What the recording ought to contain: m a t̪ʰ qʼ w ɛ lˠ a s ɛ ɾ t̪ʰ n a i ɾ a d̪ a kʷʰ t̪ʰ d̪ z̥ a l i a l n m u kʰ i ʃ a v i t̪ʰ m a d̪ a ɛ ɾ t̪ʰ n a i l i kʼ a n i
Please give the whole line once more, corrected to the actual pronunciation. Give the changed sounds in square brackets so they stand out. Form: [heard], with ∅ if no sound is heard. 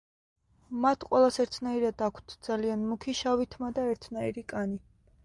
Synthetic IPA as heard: m a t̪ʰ qʼ w ɛ lˠ a s ɛ ɾ t̪ʰ n a i ɾ a d̪ a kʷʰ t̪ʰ d̪ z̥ a l i a [∅] n m u kʰ i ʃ a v i t̪ʰ m a d̪ a ɛ ɾ t̪ʰ n a i [ɾ] i kʼ a n i